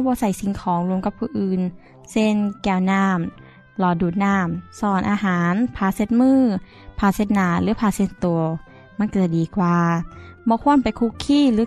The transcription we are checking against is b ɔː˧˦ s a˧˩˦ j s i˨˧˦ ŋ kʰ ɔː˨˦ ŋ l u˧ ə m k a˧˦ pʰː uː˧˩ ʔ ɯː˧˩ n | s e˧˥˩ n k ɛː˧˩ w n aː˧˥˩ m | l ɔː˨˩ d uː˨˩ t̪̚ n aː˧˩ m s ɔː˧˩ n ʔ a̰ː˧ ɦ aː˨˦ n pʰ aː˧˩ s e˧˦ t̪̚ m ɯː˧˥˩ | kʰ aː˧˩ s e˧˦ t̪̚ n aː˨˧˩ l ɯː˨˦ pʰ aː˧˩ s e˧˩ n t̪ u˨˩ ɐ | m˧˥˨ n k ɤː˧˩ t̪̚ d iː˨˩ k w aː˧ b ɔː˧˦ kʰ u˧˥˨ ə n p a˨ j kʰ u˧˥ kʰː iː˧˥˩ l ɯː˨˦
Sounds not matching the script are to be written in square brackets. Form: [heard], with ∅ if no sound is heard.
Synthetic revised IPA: b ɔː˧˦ s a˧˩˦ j s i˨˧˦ ŋ kʰ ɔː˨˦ ŋ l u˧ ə m k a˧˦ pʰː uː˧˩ ʔ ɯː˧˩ n | s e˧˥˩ n k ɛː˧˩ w n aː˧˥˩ m | l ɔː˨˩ d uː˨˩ t̪̚ n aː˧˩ m s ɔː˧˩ n ʔ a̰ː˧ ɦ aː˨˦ n pʰ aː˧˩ s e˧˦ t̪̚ m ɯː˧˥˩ | [pʰ] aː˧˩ s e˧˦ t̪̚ n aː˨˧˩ l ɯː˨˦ pʰ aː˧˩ s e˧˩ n t̪ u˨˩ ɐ | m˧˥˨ n k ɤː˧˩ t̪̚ d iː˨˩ k w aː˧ b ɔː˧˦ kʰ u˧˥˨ ə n p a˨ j kʰ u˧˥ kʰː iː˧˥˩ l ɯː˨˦